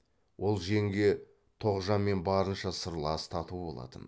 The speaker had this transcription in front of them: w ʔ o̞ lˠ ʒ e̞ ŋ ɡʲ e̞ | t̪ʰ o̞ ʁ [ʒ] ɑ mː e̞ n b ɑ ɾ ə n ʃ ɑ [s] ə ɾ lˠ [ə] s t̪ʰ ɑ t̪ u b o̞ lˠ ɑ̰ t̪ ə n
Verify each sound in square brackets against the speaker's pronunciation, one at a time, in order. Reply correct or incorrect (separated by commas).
correct, correct, incorrect